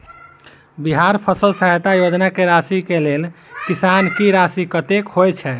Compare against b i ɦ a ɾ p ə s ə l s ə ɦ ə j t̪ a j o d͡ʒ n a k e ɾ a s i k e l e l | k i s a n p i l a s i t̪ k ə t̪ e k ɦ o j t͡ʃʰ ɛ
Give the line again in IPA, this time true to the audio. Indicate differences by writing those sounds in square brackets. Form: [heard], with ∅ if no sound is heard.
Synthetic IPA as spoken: b i ɦ a ɾ [pʰ] ə s ə l s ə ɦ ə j t̪ a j o d͡ʒ n a k e ɾ a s i k e l e l | k i s a n [k] i [ɾ] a s i [∅] k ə t̪ e k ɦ o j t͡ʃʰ ɛ